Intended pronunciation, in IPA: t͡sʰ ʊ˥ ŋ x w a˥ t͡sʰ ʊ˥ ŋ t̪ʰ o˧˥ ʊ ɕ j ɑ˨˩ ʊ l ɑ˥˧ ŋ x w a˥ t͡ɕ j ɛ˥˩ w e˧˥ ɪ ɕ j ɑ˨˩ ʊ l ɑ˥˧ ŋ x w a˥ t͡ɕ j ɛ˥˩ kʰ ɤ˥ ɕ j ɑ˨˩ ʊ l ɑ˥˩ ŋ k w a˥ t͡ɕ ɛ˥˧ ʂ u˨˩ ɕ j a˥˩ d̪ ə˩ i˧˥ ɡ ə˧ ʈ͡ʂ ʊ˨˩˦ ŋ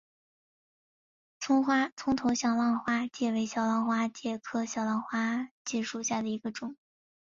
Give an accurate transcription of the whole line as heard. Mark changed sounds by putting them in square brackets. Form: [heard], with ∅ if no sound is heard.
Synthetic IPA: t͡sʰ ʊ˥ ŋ x w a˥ t͡sʰ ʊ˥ ŋ t̪ʰ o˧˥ ʊ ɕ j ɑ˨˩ ʊ l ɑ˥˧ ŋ x w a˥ t͡ɕ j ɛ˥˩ w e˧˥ ɪ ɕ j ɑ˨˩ ʊ l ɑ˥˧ ŋ x w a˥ t͡ɕ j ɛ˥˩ kʰ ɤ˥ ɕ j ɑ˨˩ ʊ l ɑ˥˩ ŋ [x] w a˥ t͡ɕ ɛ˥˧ ʂ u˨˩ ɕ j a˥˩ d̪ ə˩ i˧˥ ɡ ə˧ ʈ͡ʂ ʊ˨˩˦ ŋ